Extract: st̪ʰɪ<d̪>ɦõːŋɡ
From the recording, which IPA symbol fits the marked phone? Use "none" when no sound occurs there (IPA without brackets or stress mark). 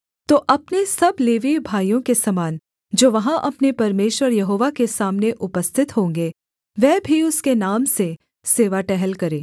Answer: t̪